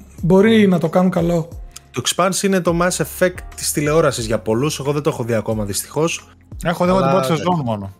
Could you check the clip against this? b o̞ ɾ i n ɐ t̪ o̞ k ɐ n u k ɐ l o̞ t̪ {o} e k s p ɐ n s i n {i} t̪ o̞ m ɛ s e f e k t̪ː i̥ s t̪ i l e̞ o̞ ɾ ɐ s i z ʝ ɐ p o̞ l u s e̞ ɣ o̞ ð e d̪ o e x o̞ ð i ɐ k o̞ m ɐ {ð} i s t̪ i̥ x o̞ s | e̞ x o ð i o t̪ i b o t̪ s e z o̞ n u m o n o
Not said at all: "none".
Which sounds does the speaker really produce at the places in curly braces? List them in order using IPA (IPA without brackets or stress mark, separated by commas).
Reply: o, e, ð